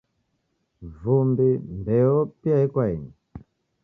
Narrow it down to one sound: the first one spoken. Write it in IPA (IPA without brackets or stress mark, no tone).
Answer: v